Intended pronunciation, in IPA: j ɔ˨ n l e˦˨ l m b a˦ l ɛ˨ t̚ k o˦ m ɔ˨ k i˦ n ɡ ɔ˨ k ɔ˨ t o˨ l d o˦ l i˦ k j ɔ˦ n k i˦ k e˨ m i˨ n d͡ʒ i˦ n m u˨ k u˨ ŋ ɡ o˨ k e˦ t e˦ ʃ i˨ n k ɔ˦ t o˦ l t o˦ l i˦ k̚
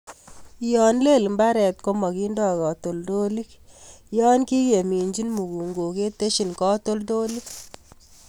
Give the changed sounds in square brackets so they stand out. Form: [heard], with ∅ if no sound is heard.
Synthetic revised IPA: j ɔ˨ n l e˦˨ l m b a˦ [ɾ] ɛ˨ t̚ k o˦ m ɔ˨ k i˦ n [d] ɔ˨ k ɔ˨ t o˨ l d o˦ l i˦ k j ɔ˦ n k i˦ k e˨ m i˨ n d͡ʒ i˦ n m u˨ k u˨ ŋ ɡ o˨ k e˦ t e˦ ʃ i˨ n k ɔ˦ t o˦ l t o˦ l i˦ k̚